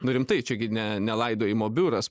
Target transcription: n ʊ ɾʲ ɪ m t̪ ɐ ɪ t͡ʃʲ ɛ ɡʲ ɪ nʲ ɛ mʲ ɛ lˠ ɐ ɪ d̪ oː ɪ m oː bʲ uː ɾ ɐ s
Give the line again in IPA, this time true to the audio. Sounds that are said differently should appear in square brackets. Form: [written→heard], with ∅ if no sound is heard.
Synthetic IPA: n ʊ ɾʲ ɪ m t̪ ɐ ɪ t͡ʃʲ ɛ ɡʲ ɪ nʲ ɛ [mʲ→nʲ] ɛ lˠ ɐ ɪ d̪ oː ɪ m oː bʲ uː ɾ ɐ s

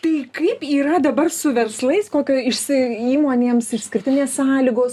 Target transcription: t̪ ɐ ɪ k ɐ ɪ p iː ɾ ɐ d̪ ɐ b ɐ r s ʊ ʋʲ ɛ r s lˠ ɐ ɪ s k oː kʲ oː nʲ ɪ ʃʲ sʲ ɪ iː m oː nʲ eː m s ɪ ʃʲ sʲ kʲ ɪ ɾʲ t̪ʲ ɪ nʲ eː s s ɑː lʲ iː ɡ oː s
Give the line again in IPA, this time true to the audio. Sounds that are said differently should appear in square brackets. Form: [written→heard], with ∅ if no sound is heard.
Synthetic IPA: t̪ ɐ ɪ k ɐ ɪ p iː ɾ ɐ d̪ ɐ b ɐ r s ʊ ʋʲ ɛ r s lˠ ɐ ɪ s k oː kʲ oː [nʲ→∅] ɪ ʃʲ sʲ ɪ iː m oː nʲ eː m s ɪ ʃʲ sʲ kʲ ɪ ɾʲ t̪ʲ ɪ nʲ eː s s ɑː lʲ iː ɡ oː s

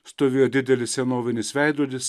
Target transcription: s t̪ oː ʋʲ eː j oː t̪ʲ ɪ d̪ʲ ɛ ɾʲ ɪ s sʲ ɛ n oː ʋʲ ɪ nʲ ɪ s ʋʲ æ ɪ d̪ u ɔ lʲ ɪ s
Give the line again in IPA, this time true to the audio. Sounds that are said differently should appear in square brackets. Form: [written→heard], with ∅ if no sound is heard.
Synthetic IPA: s t̪ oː ʋʲ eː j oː [t̪ʲ→d̪ʲ] ɪ d̪ʲ ɛ [ɾʲ→lʲ] ɪ s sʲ ɛ n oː ʋʲ ɪ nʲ ɪ s ʋʲ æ ɪ d̪ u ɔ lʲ ɪ s

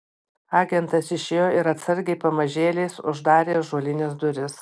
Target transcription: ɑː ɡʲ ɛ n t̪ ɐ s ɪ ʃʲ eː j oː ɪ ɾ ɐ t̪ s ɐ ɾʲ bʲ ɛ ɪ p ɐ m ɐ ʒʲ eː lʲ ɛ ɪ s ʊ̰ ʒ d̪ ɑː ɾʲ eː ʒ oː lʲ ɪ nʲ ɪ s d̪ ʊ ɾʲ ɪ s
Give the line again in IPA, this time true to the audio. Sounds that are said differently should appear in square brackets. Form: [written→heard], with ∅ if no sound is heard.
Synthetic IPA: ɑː ɡʲ ɛ n t̪ ɐ s ɪ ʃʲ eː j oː ɪ ɾ ɐ t̪ s ɐ ɾʲ [bʲ→ɡʲ] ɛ ɪ p ɐ m ɐ ʒʲ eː lʲ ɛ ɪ s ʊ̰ ʒ d̪ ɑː ɾʲ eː ʒ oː lʲ ɪ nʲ ɪ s d̪ ʊ ɾʲ ɪ s

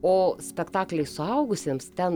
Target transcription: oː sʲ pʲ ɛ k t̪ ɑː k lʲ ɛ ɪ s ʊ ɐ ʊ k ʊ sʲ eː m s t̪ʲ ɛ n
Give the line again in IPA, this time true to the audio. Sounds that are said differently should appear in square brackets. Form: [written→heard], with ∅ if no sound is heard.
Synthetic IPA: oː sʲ pʲ ɛ k t̪ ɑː k lʲ ɛ ɪ s ʊ ɐ ʊ [k→ɡ] ʊ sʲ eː m s t̪ʲ ɛ n

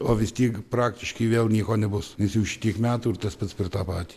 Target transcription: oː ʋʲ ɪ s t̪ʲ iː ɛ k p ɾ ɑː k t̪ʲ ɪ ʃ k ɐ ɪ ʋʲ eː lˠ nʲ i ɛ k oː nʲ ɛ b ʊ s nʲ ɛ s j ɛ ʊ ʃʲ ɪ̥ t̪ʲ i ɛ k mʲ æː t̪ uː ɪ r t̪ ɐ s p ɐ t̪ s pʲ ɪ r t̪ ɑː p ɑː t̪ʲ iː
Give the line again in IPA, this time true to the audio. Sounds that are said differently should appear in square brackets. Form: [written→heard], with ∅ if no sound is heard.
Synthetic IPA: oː ʋʲ ɪ s t̪ʲ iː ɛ k p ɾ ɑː k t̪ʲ ɪ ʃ k ɐ ɪ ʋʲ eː lˠ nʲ i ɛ k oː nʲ ɛ b ʊ s nʲ ɛ s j ɛ ʊ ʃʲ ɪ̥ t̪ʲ i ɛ k mʲ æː t̪ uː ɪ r t̪ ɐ s p ɐ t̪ s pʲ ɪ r t̪ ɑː p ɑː t̪ʲ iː

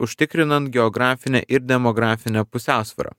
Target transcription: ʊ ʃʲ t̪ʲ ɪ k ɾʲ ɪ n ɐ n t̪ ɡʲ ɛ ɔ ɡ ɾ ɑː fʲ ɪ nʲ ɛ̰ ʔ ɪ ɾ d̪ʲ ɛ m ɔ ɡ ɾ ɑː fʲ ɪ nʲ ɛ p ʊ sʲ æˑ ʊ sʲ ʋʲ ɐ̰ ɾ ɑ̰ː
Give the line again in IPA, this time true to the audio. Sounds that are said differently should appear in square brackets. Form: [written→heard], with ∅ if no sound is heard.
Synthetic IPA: ʊ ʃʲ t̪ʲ ɪ k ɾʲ ɪ n ɐ n t̪ ɡʲ ɛ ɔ ɡ ɾ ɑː fʲ ɪ nʲ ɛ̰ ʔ ɪ ɾ d̪ʲ ɛ m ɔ ɡ ɾ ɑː fʲ ɪ nʲ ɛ p ʊ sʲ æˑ ʊ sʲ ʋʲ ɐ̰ ɾ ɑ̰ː

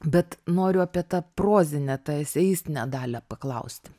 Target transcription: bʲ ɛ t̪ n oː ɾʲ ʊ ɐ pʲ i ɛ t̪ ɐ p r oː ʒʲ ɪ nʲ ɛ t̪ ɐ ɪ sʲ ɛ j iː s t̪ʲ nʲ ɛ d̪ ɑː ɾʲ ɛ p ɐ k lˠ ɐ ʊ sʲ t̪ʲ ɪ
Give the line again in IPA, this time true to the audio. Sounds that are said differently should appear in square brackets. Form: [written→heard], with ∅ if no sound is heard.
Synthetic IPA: bʲ ɛ t̪ n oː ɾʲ ʊ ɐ pʲ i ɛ t̪ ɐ p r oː [ʒʲ→zʲ] ɪ nʲ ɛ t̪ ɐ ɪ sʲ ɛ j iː s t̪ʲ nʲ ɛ d̪ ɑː [ɾʲ→lʲ] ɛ p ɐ k lˠ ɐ ʊ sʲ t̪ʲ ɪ

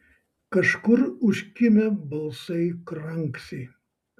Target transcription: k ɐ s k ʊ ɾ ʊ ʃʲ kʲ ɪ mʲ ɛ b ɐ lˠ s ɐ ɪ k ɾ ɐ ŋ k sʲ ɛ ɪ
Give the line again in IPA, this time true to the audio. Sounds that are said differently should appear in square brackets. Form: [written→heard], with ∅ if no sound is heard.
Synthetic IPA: k ɐ [s→ʃ] k ʊ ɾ ʊ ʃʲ kʲ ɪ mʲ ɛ b ɐ lˠ s ɐ ɪ k ɾ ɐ ŋ k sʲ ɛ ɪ

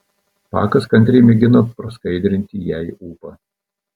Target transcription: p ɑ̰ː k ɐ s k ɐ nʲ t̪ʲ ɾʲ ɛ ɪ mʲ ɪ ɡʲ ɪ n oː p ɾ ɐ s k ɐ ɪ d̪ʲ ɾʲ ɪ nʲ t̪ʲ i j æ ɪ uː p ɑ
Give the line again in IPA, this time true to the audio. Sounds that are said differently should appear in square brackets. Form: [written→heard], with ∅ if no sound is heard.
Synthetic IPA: p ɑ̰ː k ɐ s k ɐ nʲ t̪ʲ ɾʲ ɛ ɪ mʲ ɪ ɡʲ ɪ n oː p ɾ ɐ s k ɐ ɪ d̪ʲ ɾʲ ɪ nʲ t̪ʲ i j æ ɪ uː p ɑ

